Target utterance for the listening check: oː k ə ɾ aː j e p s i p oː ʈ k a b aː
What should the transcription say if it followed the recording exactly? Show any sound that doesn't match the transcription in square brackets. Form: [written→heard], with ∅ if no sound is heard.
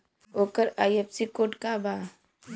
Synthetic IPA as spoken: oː k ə ɾ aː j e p s i [p→k] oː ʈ k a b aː